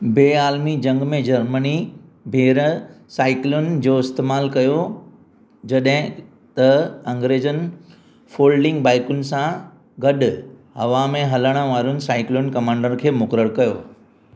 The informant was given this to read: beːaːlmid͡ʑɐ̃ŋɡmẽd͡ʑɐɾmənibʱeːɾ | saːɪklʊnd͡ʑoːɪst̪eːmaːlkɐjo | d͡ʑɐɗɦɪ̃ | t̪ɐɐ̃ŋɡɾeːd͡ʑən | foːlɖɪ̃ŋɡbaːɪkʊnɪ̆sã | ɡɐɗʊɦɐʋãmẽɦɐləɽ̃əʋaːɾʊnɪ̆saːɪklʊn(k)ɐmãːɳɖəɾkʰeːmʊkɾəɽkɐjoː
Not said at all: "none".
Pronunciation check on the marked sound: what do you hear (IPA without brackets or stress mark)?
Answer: k